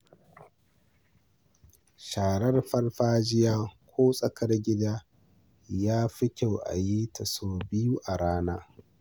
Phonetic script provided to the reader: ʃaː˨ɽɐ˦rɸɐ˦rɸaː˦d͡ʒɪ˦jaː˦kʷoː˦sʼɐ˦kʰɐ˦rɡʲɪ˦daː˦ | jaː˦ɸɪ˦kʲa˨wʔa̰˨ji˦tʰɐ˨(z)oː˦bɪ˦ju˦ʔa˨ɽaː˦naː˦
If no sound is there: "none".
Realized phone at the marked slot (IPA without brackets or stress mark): s